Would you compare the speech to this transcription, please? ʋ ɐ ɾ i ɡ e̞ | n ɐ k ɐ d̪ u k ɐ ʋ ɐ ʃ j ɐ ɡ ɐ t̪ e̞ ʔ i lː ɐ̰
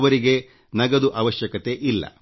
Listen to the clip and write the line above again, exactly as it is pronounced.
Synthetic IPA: ʋ ɐ ɾ i ɡ e̞ | n ɐ ɡ ɐ d̪ u ʔ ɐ ʋ ɐ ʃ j ɐ k ɐ t̪ e̞ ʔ i lː ɐ̰